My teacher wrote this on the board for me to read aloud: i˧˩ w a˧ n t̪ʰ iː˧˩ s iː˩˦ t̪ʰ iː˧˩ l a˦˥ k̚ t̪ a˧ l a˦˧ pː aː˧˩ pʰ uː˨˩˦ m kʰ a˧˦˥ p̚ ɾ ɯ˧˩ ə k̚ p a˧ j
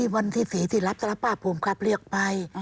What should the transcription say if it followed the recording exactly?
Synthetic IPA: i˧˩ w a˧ n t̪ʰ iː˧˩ s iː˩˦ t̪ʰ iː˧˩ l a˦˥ p̚ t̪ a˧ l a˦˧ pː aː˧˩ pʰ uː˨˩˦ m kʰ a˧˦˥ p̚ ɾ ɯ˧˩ ə k̚ p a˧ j